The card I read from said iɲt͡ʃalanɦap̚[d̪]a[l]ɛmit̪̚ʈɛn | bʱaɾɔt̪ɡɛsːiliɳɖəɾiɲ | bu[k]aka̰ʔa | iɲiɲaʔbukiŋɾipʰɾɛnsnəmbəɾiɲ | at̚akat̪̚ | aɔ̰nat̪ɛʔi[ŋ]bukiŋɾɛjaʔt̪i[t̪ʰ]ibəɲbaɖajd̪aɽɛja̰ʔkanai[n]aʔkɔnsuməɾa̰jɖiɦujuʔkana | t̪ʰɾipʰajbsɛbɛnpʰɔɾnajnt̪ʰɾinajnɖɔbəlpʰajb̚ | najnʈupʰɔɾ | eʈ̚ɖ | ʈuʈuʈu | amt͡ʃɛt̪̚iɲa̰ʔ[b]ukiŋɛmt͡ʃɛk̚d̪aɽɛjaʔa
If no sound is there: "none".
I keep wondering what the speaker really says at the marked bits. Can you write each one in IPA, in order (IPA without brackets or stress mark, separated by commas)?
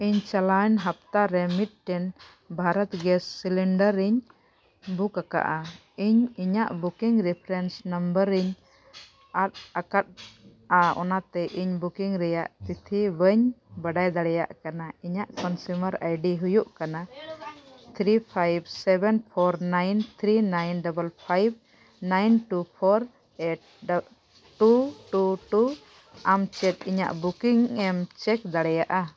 t̪, ɾ, k, ɲ, t̪ʰ, ɲ, b